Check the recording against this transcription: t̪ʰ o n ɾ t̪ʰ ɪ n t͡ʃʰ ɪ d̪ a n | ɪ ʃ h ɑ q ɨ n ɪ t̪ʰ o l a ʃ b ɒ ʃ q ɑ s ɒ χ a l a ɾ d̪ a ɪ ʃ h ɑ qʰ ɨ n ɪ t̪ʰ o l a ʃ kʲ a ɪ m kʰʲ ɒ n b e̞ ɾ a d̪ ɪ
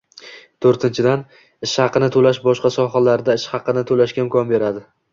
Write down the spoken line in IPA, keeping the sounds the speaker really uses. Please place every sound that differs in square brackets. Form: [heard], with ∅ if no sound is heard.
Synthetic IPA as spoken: t̪ʰ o [∅] ɾ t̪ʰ ɪ n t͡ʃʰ ɪ d̪ a n | ɪ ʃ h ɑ q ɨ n ɪ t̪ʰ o l a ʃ b ɒ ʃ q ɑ s ɒ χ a l a ɾ d̪ a ɪ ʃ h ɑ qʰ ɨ n ɪ t̪ʰ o l a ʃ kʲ a ɪ m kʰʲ ɒ n b e̞ ɾ a d̪ ɪ